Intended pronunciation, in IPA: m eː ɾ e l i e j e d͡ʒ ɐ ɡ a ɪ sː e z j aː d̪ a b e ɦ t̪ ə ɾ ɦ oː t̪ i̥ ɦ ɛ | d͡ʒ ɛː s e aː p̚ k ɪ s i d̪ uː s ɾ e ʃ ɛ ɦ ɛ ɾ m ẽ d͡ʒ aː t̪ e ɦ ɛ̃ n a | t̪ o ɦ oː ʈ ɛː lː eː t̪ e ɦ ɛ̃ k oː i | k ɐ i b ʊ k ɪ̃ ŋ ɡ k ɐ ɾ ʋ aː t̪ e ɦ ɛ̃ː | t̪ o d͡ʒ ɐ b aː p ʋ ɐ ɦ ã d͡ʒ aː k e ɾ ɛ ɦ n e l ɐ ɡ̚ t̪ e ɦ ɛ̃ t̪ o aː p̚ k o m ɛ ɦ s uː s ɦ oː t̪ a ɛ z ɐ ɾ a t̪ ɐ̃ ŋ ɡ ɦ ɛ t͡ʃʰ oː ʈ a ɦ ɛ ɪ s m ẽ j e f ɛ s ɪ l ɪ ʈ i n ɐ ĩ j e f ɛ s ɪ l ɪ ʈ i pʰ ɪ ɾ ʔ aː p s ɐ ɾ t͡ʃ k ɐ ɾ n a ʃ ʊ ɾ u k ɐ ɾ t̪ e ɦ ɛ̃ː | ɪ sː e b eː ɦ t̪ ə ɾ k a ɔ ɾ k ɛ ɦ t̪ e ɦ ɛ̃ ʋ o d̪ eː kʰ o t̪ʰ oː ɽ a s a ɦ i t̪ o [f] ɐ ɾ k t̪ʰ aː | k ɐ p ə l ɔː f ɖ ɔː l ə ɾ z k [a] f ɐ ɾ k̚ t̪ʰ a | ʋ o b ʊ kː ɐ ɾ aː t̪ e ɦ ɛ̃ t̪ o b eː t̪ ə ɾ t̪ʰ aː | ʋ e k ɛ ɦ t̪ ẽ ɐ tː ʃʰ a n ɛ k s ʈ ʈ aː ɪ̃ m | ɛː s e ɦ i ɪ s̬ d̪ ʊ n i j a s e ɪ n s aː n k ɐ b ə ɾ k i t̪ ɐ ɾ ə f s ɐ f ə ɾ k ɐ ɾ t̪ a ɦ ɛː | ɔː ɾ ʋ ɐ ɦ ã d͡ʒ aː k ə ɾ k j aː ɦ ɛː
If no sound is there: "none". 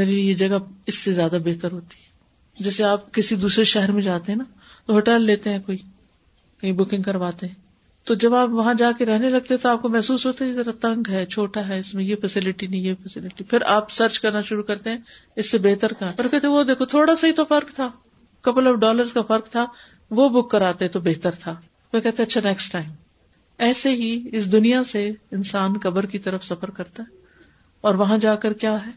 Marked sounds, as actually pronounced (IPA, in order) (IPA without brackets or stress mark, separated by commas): f, a